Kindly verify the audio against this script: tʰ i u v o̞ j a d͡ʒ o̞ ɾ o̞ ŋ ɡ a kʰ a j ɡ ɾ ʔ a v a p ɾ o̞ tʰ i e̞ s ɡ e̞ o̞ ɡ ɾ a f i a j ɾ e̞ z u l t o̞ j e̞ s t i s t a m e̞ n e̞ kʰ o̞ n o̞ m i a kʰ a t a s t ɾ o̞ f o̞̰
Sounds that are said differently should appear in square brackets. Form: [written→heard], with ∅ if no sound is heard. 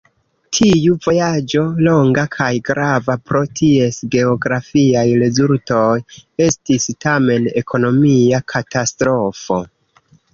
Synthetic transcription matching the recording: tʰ i u v o̞ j a d͡ʒ o̞ [ɾ→l] o̞ ŋ ɡ a kʰ a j ɡ ɾ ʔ a v a p ɾ o̞ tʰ i e̞ s ɡ e̞ o̞ ɡ ɾ a f i a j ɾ e̞ z u l t o̞ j e̞ s t i s t a m e̞ n e̞ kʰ o̞ n o̞ m i a kʰ a t a s t ɾ o̞ f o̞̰